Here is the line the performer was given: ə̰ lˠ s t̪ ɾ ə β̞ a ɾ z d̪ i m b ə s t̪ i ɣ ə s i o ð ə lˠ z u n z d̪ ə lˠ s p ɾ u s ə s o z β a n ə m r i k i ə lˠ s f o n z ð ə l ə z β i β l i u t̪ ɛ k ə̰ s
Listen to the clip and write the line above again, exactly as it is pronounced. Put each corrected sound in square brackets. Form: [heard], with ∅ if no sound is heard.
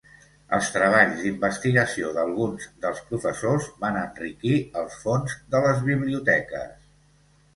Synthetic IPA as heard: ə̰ lˠ s t̪ ɾ ə β̞ a [ʎ] z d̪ i m b ə s t̪ i ɣ ə s i o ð ə lˠ [ɣ] u n z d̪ ə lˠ s p ɾ u [f] ə s o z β a n ə [n] r i k i ə lˠ s f o n z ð ə l ə z β i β l i u t̪ ɛ k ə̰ s